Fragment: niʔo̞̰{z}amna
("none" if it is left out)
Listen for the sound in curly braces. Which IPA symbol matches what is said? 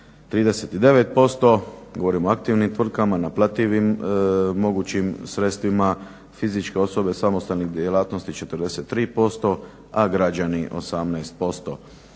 s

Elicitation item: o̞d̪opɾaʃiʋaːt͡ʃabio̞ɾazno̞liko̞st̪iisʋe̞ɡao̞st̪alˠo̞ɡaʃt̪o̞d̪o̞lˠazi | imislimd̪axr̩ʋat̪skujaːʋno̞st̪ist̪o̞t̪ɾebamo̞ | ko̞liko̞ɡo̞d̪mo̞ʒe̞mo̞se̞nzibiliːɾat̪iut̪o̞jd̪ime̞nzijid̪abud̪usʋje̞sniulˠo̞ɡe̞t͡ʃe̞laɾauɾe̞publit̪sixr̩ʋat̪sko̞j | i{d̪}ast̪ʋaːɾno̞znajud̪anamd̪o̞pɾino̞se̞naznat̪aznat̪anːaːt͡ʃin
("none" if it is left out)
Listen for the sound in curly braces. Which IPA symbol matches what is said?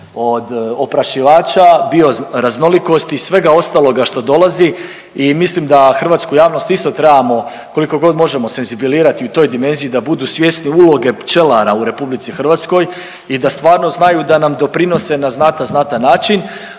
d̪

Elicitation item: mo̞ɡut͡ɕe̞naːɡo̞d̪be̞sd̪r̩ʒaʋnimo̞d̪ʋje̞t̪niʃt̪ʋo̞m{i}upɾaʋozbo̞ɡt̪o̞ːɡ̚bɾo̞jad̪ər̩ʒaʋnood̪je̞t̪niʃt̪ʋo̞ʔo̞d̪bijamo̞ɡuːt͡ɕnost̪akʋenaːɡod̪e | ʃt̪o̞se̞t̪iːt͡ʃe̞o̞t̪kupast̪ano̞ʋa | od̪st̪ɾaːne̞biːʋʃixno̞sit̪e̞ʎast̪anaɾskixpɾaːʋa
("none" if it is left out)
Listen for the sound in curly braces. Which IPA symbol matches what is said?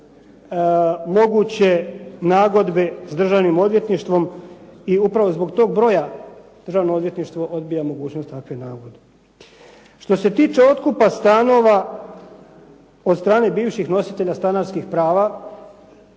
i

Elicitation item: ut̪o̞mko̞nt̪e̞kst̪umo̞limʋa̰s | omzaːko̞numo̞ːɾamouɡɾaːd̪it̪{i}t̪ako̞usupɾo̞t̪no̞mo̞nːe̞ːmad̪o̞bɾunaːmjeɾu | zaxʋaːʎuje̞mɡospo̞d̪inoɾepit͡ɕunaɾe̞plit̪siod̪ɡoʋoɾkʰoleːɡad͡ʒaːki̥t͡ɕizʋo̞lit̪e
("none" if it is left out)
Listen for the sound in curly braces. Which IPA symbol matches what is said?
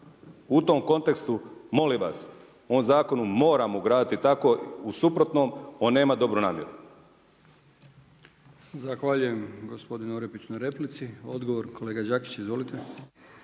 i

